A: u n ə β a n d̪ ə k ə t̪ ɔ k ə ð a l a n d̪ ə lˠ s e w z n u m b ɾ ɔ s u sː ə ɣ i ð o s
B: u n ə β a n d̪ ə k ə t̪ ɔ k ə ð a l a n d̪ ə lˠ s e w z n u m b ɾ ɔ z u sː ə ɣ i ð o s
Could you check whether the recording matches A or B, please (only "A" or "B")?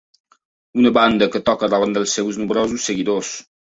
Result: B